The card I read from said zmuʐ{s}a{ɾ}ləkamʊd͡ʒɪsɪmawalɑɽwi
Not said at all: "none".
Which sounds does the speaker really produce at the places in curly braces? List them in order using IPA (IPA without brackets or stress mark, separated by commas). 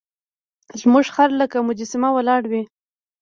x, ɾ